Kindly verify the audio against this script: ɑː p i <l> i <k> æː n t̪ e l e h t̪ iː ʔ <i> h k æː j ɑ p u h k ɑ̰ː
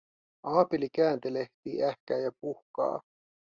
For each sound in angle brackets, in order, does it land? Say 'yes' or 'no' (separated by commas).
yes, yes, no